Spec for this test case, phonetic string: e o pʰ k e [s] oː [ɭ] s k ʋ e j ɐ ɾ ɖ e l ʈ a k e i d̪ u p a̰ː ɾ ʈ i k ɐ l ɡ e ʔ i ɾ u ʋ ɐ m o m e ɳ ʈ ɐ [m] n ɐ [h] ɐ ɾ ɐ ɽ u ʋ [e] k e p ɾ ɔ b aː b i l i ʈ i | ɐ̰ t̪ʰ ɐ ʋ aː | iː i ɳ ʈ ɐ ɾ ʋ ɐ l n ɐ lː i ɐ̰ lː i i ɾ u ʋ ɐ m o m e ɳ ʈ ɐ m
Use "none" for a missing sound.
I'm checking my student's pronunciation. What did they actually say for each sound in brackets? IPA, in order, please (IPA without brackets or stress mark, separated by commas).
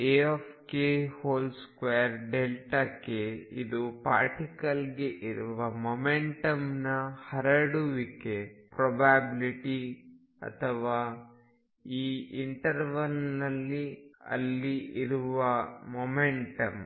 h, l, m, h, i